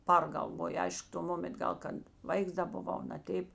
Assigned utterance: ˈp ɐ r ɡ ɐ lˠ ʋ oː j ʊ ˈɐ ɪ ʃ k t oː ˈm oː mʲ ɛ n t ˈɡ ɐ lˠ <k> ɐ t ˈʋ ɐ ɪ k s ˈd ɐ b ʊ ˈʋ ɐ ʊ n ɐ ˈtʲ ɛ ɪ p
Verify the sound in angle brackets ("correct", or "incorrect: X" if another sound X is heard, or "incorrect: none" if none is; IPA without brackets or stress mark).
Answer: correct